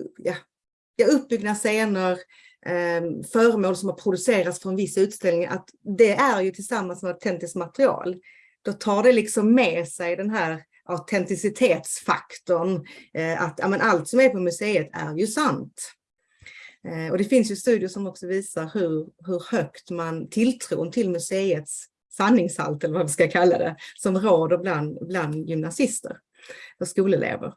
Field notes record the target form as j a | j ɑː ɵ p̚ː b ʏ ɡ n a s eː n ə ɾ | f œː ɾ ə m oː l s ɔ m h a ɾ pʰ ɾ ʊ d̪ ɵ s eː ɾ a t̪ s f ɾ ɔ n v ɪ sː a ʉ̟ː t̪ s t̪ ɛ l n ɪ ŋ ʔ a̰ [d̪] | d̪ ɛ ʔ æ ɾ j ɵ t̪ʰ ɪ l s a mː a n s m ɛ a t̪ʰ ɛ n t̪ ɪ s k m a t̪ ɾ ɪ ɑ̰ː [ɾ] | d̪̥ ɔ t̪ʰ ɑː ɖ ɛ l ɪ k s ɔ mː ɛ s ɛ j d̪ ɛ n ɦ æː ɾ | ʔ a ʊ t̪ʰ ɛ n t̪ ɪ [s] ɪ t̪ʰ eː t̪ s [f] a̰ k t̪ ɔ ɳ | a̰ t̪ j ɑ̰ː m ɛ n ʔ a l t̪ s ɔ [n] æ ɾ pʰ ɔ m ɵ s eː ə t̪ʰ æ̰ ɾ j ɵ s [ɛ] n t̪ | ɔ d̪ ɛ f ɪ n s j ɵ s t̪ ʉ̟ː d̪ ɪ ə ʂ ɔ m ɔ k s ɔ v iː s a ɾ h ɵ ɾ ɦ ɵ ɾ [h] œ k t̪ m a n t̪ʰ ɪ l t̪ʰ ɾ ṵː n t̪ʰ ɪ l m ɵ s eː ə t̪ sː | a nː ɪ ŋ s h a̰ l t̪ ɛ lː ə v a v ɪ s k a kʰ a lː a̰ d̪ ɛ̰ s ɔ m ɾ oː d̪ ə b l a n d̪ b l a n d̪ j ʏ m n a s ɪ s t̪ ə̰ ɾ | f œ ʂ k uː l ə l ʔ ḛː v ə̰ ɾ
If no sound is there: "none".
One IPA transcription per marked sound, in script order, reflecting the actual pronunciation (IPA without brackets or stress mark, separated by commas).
t̪, l, s, f, m, a, h